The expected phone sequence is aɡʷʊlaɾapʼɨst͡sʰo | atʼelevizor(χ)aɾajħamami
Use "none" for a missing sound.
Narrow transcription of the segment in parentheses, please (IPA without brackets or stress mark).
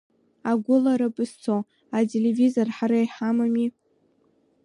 ħ